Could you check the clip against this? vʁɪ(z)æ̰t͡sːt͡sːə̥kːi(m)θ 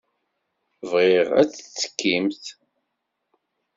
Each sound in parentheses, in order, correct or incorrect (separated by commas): incorrect, correct